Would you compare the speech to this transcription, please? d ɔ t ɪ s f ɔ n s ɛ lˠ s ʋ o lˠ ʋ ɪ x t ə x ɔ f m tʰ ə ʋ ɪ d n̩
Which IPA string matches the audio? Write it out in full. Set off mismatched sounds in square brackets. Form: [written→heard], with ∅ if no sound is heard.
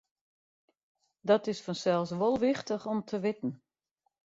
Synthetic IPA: d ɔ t ɪ s f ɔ n s ɛ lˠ s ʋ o lˠ ʋ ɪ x t ə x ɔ [f→∅] m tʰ ə ʋ ɪ [d→t] n̩